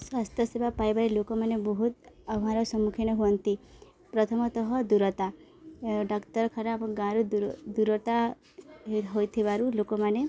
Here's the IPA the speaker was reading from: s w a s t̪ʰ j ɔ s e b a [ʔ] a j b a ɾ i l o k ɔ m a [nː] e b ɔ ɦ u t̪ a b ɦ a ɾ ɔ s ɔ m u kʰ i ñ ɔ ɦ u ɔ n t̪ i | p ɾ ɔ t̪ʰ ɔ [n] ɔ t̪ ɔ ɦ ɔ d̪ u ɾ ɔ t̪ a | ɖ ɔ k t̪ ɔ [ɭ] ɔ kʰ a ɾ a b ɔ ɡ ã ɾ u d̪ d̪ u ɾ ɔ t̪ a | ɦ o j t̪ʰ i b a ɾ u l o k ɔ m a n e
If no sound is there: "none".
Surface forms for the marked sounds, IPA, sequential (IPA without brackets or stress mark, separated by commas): p, n, m, ɾ